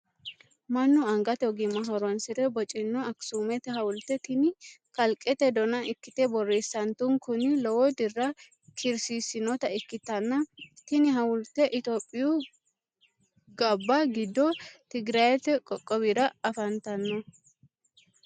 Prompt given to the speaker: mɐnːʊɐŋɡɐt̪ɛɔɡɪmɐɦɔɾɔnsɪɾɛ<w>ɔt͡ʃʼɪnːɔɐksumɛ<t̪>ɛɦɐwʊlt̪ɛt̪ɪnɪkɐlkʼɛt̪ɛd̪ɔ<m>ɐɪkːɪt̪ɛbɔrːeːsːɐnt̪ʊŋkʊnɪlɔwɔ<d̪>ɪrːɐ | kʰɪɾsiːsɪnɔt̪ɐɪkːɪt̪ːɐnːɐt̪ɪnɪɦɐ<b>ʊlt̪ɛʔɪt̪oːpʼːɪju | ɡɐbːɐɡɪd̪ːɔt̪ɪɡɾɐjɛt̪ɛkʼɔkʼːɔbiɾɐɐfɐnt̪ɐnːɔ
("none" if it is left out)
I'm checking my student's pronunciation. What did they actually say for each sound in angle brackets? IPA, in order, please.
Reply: b, t̪, n, d̪, w

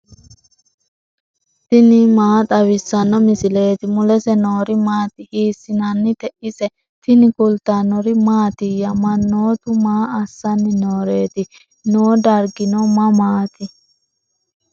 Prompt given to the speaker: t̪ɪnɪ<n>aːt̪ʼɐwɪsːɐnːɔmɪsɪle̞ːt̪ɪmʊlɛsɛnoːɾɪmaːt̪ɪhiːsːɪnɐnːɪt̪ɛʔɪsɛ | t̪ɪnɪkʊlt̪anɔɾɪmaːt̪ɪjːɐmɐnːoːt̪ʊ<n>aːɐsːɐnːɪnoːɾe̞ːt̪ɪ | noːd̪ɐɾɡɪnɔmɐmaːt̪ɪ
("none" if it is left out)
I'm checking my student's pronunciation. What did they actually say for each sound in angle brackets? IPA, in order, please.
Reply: m, m

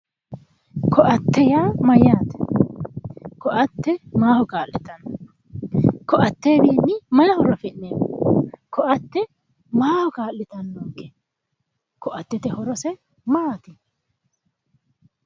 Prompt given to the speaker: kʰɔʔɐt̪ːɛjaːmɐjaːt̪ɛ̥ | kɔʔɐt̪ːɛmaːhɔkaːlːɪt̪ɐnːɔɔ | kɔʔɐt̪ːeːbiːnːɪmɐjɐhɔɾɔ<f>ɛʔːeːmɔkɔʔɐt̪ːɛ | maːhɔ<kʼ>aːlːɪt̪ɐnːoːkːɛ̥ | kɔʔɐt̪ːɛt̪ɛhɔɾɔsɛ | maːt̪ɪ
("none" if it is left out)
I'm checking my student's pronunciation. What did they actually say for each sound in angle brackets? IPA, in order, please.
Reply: f, k

